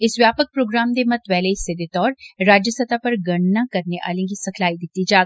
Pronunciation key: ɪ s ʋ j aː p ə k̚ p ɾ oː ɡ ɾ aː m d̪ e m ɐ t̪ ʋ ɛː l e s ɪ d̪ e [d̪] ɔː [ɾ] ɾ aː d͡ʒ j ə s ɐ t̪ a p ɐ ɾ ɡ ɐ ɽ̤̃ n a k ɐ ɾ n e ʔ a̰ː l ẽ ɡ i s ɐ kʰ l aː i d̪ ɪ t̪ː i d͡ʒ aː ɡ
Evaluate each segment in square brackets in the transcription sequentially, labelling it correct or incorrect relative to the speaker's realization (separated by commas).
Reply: incorrect, correct